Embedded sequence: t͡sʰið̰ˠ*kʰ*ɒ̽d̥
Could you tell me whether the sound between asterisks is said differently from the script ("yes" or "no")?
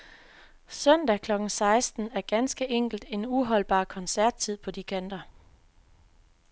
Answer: yes